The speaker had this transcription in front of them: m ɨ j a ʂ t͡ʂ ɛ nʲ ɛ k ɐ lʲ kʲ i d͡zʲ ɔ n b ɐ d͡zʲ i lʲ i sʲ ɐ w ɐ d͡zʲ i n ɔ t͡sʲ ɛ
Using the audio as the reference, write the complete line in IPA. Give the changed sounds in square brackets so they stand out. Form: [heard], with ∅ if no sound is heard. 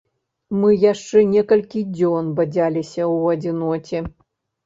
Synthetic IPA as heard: m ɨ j a ʂ t͡ʂ ɛ nʲ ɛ k ɐ lʲ kʲ i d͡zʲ ɔ n b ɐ d͡zʲ [a] lʲ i sʲ ɐ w ɐ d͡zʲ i n ɔ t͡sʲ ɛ